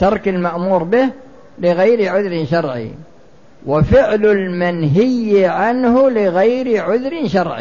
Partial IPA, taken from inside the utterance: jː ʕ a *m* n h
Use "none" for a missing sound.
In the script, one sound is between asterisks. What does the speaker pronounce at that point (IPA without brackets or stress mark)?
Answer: none